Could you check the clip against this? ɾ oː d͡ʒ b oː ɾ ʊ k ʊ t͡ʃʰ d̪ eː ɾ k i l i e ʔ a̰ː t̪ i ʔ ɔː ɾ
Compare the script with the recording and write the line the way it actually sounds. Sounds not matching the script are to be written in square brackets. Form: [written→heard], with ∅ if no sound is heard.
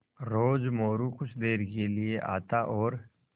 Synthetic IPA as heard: ɾ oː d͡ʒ [b→m] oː ɾ [ʊ→u] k ʊ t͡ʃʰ d̪ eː ɾ k [i→e] l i e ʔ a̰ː t̪ [i→a] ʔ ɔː ɾ